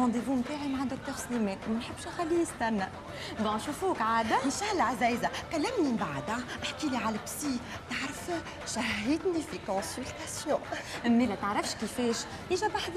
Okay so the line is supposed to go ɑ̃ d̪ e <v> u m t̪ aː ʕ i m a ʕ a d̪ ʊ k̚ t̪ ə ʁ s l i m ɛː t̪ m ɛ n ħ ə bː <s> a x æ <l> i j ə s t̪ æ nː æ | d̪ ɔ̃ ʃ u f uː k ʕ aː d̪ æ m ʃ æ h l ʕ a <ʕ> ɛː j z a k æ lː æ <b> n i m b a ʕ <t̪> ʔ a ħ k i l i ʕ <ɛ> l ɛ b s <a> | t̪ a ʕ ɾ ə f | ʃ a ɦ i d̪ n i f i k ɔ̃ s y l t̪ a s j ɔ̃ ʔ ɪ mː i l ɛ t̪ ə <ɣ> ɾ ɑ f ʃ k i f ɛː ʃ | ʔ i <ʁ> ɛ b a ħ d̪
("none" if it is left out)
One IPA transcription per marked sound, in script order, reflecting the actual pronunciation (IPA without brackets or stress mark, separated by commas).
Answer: v, ʃ, lː, z, m, d̪, a, i, ʕ, ʒ